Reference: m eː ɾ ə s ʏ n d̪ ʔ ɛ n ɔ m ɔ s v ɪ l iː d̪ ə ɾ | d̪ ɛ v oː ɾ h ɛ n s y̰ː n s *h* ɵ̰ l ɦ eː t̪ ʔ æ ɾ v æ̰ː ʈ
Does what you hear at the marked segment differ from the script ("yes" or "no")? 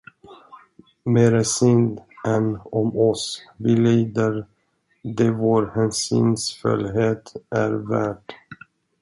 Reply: yes